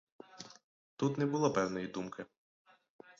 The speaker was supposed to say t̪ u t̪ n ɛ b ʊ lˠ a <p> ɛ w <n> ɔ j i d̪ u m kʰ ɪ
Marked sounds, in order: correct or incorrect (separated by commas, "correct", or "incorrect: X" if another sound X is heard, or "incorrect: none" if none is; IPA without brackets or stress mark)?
correct, correct